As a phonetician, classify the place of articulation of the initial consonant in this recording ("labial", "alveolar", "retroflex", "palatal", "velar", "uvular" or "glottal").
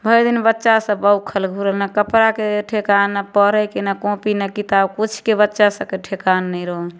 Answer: labial